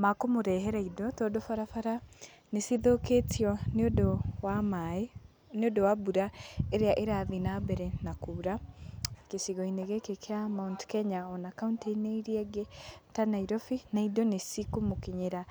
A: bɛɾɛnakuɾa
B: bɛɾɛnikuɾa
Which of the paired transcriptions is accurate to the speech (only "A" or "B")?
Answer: A